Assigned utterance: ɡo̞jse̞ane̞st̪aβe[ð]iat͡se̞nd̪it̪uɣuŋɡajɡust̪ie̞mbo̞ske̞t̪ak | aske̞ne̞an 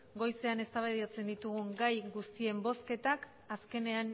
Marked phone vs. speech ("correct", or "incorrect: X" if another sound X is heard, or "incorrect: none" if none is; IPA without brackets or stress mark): correct